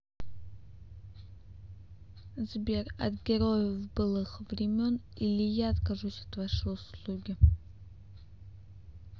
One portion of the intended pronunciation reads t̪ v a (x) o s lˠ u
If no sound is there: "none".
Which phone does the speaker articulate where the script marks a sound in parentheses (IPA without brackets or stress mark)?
ʂ